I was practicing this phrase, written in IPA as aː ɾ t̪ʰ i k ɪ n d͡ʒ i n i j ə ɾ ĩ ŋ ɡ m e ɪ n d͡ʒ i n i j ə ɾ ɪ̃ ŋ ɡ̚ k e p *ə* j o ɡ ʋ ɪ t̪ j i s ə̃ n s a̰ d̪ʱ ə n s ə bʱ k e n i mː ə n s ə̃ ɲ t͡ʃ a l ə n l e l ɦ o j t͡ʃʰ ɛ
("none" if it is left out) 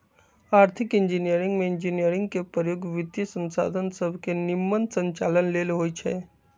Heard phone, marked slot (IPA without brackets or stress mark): ə